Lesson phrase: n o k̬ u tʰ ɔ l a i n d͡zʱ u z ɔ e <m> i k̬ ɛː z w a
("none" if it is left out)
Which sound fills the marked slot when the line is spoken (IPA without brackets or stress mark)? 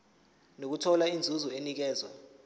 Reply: n